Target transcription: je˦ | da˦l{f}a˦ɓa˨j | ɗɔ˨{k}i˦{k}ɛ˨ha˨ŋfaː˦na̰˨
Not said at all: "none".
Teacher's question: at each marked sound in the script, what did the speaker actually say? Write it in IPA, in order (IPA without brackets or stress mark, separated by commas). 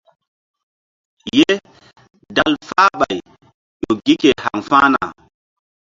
f, ɡ, k